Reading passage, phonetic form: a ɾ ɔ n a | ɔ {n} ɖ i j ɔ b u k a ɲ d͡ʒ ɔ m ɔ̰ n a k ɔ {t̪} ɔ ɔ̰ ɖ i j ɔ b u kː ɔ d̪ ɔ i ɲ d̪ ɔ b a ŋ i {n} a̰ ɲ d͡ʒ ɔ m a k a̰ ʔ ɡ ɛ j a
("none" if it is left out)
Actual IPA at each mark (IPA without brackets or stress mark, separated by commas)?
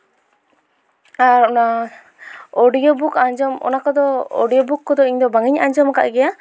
none, d̪, ɲ